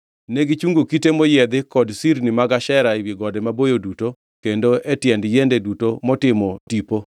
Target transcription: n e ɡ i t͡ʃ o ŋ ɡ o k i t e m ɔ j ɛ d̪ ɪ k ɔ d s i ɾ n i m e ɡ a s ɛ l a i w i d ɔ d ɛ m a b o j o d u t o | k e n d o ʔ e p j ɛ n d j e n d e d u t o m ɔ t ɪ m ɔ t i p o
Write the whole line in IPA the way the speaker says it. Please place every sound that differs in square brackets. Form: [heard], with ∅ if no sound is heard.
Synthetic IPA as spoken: n e ɡ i t͡ʃ [u] ŋ ɡ o k i t e m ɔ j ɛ d̪ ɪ k ɔ d s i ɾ n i m [a] ɡ a [ʃ] ɛ [ɾ] a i w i [ɡ] ɔ d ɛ m a b o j o d u t o | k e n d o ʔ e [t] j ɛ n d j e n d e d u t o m ɔ t ɪ m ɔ t i p o